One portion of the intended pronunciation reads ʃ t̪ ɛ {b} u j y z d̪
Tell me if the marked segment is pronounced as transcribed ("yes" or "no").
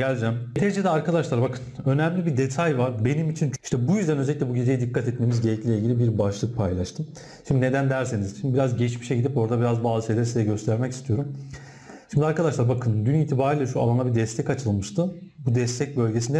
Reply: yes